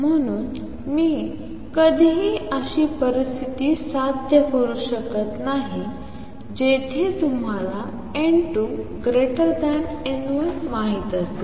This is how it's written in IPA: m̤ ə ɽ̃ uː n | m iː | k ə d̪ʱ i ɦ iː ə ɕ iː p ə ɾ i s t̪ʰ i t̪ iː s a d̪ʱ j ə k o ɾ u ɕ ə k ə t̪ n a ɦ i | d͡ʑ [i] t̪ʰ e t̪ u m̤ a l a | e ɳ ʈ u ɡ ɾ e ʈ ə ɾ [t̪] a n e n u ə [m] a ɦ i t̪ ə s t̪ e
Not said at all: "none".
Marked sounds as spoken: e, d̪, m

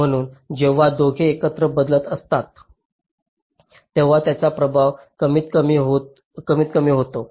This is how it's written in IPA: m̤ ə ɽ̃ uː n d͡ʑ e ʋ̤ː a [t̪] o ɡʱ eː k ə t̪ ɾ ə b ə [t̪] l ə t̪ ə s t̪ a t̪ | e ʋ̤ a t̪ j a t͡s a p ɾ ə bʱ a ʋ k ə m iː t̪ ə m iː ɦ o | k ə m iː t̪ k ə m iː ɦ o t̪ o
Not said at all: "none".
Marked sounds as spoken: d̪, d̪

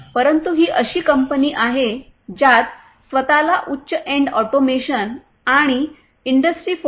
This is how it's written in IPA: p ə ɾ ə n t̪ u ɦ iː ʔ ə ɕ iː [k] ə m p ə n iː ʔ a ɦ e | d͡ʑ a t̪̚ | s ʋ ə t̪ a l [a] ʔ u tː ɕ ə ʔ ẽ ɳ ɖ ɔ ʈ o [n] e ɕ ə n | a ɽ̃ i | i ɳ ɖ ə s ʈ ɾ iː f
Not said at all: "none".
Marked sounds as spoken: k, a, m

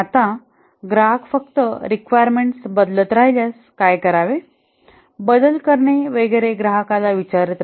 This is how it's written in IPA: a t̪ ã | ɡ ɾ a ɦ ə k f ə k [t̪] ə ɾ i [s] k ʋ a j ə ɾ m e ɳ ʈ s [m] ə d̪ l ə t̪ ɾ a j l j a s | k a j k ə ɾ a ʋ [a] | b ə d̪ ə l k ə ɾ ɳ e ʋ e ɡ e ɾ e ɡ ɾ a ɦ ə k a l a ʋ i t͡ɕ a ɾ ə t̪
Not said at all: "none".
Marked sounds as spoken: t̪, none, b, e

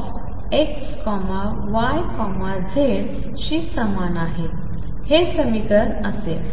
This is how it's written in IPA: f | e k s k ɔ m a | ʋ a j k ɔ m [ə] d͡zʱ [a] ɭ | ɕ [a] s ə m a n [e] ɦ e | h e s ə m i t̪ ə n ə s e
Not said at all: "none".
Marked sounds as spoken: a, e, i, a

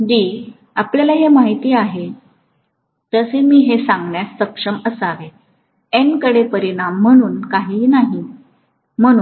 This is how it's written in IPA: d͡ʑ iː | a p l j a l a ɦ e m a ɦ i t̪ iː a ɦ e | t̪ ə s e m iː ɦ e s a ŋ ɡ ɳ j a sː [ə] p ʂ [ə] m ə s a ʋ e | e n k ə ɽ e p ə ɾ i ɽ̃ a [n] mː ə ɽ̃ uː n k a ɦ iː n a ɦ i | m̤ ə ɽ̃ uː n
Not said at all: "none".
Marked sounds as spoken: ə, ə, none

